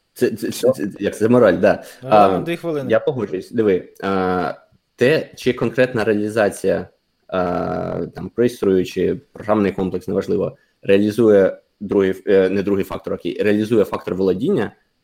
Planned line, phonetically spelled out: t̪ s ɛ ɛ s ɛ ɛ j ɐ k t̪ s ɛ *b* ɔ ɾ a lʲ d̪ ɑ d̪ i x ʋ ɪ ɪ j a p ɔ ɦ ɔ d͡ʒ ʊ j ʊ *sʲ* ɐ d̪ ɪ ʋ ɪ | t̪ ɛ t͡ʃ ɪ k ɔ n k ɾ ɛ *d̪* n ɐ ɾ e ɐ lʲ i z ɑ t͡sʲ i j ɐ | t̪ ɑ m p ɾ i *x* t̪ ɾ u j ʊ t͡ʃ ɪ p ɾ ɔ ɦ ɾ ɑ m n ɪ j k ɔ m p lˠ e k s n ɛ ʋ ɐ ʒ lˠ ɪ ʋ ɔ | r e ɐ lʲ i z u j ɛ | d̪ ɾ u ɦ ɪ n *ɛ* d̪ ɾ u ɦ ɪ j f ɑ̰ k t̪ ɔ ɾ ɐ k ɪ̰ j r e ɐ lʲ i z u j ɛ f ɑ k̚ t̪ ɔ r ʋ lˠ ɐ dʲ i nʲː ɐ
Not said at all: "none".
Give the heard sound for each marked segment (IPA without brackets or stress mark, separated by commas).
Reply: m, sʲ, t̪, s, ɛ